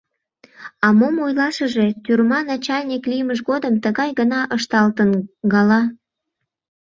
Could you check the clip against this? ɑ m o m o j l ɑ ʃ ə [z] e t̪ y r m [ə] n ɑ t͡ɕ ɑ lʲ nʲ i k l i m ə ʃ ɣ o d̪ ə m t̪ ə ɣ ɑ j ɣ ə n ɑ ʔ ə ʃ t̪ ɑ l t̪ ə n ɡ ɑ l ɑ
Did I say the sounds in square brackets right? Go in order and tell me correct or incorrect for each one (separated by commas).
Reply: incorrect, incorrect